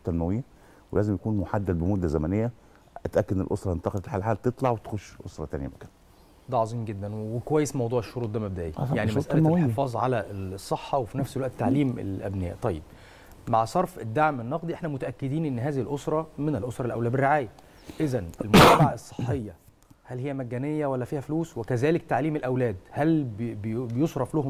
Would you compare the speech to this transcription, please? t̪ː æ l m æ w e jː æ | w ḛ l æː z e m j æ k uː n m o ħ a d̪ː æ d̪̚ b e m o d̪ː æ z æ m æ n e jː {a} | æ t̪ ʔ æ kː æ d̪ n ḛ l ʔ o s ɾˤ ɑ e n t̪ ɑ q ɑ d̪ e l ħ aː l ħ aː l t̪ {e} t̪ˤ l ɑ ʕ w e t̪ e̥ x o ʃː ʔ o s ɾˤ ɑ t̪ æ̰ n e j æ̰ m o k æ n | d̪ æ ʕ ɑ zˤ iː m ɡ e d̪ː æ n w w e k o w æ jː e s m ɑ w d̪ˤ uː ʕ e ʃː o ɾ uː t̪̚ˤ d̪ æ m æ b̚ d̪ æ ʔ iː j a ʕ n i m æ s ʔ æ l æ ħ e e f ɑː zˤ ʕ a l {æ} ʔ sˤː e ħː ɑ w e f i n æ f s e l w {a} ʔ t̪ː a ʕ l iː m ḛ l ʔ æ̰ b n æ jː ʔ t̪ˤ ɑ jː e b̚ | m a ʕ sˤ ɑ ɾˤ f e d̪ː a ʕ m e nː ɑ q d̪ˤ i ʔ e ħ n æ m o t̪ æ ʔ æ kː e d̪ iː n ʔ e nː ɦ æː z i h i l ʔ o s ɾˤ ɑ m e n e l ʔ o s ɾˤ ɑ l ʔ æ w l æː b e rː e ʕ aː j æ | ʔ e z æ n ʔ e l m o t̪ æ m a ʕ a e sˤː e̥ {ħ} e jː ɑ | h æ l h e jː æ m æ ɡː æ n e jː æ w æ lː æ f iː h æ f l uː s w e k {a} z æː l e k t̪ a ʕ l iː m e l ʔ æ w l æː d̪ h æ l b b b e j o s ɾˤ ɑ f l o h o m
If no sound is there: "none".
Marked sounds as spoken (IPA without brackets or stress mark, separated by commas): æ, e, æ, æ, ħː, æ